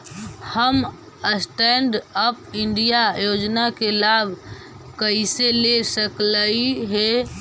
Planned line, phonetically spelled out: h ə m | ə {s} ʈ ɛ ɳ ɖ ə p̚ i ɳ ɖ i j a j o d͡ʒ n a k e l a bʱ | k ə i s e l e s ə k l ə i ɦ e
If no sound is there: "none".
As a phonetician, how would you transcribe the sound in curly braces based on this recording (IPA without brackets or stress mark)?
s